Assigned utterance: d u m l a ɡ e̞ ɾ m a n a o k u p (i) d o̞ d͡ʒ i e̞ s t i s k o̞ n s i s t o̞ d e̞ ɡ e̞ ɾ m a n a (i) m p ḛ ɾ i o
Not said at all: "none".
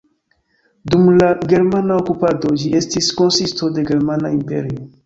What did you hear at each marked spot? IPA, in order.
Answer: a, i

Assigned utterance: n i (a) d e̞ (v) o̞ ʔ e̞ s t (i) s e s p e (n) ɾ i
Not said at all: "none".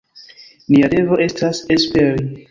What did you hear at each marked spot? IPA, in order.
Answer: a, v, a, none

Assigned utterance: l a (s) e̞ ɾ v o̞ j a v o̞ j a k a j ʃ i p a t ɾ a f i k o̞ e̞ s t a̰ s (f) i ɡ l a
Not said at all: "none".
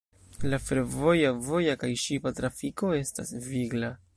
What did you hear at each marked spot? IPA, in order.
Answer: f, v

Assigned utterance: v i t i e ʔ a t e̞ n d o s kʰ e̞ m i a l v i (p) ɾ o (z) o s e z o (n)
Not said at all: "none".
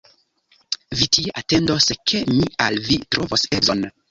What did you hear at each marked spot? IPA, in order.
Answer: t, v, n

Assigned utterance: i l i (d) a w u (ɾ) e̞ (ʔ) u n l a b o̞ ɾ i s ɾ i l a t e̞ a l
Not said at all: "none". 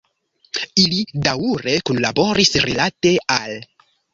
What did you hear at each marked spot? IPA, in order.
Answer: d, ɾ, k

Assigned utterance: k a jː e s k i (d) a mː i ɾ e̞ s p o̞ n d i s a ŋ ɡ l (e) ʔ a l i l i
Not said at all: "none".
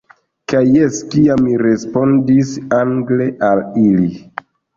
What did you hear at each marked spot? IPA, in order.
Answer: none, e

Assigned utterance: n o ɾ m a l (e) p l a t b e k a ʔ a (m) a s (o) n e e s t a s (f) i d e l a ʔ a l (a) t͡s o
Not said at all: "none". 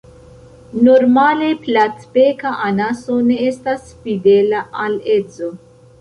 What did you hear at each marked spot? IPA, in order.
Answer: e, n, o, f, e

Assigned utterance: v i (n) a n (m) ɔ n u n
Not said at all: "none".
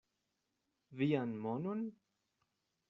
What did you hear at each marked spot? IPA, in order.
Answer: none, m

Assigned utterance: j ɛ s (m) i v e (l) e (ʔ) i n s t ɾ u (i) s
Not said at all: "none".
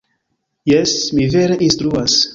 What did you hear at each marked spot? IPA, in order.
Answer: m, ɾ, ʔ, a

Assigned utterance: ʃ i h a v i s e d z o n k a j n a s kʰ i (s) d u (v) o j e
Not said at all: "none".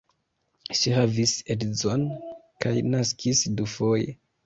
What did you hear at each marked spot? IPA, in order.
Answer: s, f

